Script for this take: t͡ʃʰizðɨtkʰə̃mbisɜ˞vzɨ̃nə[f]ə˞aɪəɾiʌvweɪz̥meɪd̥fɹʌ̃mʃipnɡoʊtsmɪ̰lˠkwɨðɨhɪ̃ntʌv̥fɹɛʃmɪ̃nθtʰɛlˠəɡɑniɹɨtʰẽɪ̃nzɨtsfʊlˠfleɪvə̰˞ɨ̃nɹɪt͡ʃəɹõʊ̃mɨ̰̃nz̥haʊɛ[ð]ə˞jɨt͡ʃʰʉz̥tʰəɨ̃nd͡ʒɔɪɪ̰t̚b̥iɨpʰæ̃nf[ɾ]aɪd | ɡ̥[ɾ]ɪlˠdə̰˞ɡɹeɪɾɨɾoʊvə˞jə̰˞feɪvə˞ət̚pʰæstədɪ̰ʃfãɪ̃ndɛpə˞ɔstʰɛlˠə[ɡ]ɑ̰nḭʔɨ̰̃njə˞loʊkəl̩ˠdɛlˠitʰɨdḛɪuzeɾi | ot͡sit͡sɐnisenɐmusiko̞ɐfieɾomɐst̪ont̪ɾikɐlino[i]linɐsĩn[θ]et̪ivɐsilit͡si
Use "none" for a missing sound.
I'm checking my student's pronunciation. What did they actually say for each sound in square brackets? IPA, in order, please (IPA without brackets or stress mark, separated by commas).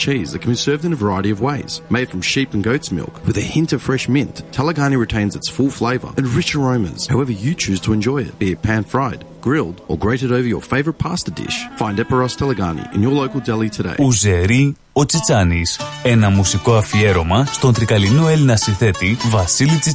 v, v, ɹ, ɹ, ɡ, e, θ